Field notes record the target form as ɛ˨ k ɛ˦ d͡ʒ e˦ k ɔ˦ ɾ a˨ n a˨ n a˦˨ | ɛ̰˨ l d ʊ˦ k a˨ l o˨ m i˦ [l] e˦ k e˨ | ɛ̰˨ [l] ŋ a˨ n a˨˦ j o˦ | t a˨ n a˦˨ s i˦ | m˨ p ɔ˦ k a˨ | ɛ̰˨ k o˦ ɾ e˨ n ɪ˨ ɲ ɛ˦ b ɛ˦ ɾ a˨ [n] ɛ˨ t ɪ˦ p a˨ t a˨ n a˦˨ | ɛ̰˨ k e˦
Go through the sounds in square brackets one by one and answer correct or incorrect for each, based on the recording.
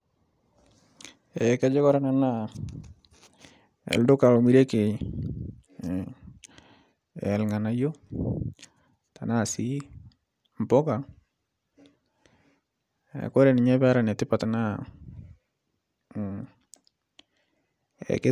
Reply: incorrect: ɾ, correct, correct

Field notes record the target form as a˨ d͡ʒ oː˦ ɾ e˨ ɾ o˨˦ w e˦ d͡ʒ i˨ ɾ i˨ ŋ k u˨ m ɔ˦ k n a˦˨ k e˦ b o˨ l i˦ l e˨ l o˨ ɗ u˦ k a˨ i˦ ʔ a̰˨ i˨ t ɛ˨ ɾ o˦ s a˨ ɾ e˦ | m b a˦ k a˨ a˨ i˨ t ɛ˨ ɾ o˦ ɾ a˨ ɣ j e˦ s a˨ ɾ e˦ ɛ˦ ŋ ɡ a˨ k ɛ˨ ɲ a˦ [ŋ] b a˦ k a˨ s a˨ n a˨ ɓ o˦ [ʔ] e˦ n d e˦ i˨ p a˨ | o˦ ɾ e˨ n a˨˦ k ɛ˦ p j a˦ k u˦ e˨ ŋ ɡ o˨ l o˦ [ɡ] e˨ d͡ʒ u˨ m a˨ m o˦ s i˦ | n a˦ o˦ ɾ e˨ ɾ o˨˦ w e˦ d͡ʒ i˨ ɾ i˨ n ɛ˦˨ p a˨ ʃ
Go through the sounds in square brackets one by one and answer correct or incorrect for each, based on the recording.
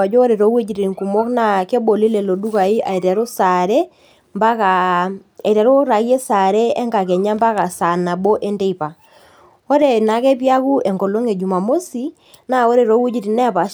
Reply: incorrect: m, correct, incorrect: ŋ

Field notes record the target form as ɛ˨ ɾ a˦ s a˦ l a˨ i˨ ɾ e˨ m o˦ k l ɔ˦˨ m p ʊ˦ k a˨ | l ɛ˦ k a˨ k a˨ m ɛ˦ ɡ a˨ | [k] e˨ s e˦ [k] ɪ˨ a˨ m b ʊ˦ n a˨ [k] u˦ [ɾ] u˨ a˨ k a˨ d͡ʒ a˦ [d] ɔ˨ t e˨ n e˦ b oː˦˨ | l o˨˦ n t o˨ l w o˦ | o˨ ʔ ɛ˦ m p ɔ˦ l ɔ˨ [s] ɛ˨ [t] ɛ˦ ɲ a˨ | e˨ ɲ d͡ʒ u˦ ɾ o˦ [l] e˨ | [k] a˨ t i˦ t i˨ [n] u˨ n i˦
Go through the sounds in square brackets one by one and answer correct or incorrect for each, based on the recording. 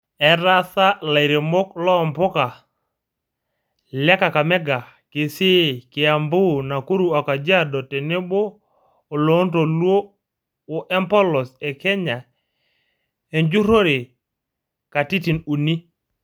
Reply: correct, correct, correct, correct, correct, correct, incorrect: k, incorrect: ɾ, correct, correct

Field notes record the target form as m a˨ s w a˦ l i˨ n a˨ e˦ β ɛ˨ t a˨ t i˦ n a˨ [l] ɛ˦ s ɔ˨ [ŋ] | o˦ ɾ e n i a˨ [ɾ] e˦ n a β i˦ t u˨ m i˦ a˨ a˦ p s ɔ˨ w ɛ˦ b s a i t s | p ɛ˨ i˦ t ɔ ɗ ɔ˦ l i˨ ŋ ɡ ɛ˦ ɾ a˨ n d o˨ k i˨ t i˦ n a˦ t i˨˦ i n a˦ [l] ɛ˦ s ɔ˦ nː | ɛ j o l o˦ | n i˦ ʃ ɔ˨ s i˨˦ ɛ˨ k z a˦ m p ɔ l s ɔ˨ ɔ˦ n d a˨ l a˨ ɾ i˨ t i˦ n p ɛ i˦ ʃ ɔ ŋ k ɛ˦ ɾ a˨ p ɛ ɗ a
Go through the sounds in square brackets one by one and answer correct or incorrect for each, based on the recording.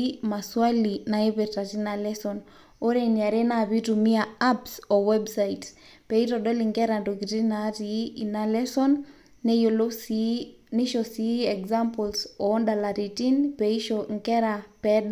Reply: correct, incorrect: n, correct, correct

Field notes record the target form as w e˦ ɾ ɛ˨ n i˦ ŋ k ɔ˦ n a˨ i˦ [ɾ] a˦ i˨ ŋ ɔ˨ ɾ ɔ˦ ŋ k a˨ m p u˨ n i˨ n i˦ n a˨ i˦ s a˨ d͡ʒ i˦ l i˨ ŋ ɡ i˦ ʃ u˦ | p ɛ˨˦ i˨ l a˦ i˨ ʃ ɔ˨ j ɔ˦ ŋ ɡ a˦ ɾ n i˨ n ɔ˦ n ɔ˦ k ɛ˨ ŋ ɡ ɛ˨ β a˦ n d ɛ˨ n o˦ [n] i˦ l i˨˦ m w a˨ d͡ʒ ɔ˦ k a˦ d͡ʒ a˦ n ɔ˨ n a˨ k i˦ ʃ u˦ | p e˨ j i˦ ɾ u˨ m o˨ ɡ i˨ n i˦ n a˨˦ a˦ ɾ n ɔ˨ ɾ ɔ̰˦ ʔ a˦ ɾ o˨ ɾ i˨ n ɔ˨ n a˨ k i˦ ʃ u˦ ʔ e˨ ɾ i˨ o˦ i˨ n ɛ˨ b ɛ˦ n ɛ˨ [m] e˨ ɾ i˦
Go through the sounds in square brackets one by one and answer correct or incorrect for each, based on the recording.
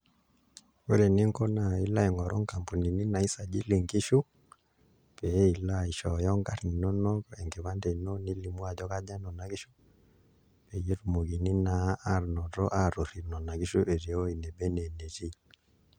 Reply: incorrect: l, correct, incorrect: n

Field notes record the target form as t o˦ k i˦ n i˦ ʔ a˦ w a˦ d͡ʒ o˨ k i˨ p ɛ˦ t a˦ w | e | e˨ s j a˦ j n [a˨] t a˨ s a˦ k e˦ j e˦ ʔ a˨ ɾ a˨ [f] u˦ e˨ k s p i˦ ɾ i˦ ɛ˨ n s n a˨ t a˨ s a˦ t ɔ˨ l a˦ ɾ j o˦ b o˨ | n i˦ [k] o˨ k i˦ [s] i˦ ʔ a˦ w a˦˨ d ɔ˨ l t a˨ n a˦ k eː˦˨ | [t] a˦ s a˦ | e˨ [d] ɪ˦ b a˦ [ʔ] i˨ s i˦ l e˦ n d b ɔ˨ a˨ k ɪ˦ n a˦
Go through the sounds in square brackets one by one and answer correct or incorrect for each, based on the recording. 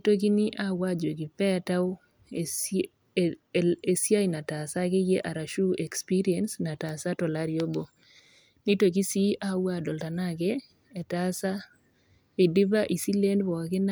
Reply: correct, incorrect: ʃ, incorrect: t, correct, correct, correct, correct

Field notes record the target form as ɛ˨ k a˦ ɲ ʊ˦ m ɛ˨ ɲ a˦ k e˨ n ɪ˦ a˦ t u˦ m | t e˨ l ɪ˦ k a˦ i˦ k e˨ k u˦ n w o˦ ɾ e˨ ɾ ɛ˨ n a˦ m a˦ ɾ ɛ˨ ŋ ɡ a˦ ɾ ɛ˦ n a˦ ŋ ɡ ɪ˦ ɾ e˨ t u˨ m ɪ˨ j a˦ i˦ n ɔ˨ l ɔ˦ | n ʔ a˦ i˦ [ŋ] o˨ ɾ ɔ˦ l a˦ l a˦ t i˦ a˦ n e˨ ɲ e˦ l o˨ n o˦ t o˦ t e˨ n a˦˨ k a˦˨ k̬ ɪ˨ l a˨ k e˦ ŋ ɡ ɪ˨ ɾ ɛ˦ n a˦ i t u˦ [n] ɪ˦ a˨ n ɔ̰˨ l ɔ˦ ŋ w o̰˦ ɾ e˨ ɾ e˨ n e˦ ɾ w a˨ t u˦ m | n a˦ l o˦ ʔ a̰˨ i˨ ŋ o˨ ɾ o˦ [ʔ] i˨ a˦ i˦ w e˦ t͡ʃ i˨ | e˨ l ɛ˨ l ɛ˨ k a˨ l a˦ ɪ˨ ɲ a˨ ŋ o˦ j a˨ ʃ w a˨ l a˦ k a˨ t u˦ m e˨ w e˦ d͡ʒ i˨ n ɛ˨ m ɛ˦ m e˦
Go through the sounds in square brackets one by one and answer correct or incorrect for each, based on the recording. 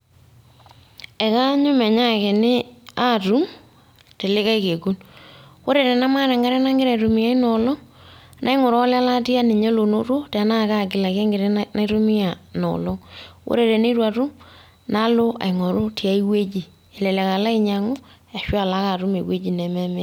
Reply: correct, incorrect: m, incorrect: t

